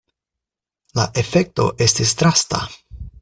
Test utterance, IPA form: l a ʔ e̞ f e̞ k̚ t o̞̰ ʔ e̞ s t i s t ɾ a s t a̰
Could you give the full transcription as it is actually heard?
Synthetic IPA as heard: l a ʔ e̞ f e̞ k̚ t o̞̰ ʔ e̞ s t i s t ɾ a s t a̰